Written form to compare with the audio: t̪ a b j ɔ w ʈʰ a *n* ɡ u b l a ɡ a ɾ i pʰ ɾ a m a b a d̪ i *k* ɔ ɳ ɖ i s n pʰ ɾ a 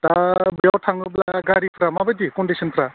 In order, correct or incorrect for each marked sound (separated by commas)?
incorrect, correct